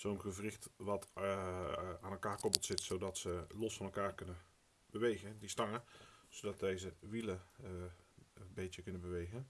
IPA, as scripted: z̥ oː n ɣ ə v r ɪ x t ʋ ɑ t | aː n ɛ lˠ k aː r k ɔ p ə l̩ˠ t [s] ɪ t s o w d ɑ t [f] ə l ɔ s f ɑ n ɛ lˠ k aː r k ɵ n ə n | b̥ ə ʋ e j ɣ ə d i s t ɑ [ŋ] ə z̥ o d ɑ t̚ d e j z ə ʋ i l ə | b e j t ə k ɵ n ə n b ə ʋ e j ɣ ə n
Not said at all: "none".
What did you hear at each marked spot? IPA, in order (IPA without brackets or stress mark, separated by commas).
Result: s, s, ŋ